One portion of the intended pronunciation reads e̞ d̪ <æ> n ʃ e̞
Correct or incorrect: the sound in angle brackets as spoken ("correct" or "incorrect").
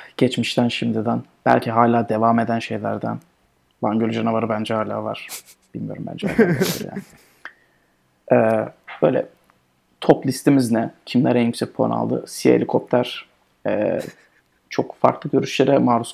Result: correct